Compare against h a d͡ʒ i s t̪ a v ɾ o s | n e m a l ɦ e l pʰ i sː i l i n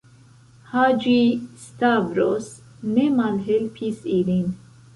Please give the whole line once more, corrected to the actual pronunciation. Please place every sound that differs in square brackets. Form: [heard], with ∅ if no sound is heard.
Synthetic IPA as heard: h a d͡ʒ i s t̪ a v ɾ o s | n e m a l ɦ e l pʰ i [s] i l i n

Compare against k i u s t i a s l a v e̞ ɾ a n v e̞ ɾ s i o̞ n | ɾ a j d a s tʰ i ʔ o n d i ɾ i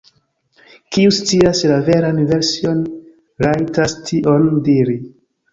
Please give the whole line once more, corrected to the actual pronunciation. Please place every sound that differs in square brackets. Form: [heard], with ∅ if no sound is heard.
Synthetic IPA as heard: k i u s [t͡s] i a s l a v e̞ ɾ a n v e̞ ɾ s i o̞ n | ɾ a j [t] a s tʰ i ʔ o n d i ɾ i

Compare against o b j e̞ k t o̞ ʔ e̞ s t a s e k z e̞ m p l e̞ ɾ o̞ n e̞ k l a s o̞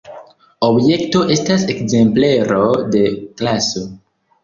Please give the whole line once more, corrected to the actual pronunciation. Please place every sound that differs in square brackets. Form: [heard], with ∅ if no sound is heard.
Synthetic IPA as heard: o b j e̞ k t o̞ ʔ e̞ s t a s e k z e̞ m p l e̞ ɾ o̞ [d] e̞ k l a s o̞

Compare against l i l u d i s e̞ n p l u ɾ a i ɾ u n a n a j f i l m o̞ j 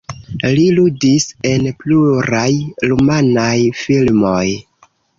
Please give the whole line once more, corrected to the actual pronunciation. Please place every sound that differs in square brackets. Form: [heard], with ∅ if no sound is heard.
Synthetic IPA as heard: l i l u d i s e̞ n p l u ɾ a [j] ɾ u [m] a n a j f i l m o̞ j

